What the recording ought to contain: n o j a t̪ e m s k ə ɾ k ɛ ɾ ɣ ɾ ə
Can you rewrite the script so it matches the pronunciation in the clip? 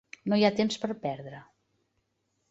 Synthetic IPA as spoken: n o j a t̪ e m s p ə ɾ p ɛ ɾ ð ɾ ə

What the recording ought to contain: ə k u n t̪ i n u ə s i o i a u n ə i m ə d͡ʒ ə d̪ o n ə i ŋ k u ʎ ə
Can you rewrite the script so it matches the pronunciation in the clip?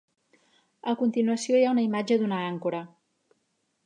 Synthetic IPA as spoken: ə k u n t̪ i n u ə s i o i a u n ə i m a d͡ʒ ə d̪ u n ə a ŋ k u ɾ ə

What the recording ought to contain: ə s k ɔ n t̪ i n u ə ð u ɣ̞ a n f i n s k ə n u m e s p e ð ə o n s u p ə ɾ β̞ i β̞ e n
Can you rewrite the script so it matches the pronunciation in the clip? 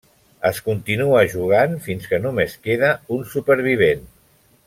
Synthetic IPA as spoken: ə s k u n t̪ i n u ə ʒ u ɣ̞ a n f i n s k ə n u m e s k e ð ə u n s u p ə ɾ β̞ i β̞ e n

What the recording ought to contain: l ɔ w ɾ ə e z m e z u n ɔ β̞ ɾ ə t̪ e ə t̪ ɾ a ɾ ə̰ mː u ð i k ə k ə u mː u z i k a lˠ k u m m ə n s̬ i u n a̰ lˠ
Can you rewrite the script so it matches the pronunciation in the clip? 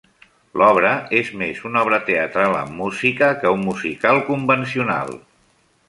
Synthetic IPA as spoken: l ɔ β ɾ ə e z m e z u n ɔ β̞ ɾ ə t̪ e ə t̪ ɾ a l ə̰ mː u z i k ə k ə u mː u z i k a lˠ k u m b ə n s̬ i u n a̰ lˠ

